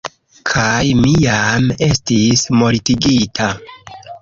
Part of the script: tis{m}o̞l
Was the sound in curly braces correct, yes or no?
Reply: yes